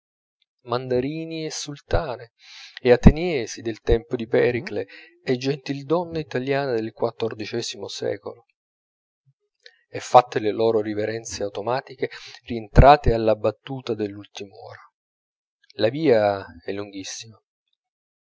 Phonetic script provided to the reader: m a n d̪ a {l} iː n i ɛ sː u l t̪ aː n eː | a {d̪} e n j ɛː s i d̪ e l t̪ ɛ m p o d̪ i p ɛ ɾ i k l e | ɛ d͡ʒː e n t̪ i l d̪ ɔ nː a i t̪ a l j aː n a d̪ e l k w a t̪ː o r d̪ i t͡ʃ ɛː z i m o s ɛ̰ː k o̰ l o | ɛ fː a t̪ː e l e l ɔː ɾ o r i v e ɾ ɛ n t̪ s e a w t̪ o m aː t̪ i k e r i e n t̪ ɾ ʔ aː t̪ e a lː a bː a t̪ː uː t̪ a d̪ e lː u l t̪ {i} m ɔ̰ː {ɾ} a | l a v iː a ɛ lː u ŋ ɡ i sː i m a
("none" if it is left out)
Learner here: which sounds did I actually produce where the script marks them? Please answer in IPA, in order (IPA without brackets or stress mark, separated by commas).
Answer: ɾ, t̪, i, ɾ